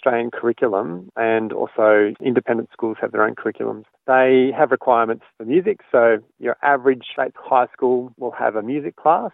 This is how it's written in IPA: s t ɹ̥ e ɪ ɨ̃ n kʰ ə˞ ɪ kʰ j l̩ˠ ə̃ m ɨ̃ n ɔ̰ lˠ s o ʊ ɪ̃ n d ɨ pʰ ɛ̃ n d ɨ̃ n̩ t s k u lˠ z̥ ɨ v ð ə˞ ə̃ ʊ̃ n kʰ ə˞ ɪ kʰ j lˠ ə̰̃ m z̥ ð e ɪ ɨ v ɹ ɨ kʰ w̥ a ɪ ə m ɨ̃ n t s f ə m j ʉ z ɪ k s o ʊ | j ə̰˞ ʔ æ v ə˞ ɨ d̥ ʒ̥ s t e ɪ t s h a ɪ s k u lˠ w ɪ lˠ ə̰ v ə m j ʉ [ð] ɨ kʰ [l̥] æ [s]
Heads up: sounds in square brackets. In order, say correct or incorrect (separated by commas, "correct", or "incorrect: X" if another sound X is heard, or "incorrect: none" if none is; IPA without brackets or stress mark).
incorrect: z, correct, correct